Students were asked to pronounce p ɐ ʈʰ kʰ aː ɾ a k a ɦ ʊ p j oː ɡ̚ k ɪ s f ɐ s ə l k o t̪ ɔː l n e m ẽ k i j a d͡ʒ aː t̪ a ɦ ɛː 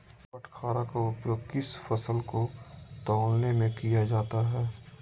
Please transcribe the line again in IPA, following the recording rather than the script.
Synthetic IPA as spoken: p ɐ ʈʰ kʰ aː ɾ a k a ʊ p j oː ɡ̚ k ɪ s f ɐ s ə l k o t̪ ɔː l n e m ẽ k i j a d͡ʒ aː t̪ a ɦ ɛː